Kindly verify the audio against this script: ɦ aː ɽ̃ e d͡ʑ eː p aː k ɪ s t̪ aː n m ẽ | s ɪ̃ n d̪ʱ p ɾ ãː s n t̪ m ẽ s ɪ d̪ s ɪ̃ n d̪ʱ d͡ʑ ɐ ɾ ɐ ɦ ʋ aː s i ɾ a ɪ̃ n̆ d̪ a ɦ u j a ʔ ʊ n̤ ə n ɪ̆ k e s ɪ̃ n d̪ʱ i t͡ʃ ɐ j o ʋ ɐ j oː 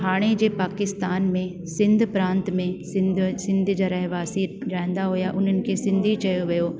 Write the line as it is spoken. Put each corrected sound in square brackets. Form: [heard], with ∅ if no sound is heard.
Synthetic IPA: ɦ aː ɽ̃ e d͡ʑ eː p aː k ɪ s t̪ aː n m ẽ | s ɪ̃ n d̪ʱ p ɾ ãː [∅] n t̪ m ẽ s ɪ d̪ s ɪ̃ n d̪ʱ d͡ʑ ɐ ɾ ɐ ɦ ʋ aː s i ɾ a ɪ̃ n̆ d̪ a ɦ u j a ʔ ʊ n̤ ə n ɪ̆ k e s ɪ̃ n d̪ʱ i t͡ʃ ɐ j o ʋ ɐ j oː

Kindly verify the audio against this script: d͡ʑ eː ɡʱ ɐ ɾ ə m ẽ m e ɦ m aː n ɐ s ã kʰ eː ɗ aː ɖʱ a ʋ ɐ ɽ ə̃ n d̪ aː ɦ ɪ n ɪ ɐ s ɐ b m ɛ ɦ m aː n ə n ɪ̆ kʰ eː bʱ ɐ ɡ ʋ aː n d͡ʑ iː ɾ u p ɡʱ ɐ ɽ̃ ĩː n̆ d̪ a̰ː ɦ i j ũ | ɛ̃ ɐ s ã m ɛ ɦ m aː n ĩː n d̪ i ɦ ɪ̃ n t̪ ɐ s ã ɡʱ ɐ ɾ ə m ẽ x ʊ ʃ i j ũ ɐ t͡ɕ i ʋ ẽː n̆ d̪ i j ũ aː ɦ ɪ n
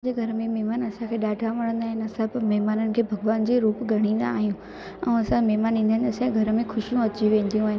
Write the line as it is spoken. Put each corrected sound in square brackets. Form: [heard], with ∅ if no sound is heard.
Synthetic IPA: d͡ʑ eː ɡʱ ɐ ɾ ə m ẽ m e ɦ m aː n ɐ s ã kʰ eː ɗ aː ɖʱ a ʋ ɐ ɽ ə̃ n d̪ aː ɦ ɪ n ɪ ɐ s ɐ b m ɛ ɦ m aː n ə n ɪ̆ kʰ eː bʱ ɐ ɡ ʋ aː n d͡ʑ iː ɾ [uː] p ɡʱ ɐ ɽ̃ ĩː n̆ d̪ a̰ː ɦ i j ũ | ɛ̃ ɐ s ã m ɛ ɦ m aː n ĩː n d̪ [a] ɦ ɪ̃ n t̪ ɐ s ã ɡʱ ɐ ɾ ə m ẽ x ʊ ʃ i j ũ ɐ t͡ɕ i ʋ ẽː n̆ d̪ i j ũ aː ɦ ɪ n

